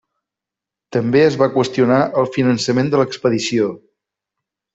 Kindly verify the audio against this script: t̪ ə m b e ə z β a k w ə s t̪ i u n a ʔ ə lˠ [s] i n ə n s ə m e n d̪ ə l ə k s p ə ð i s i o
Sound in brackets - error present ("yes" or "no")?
yes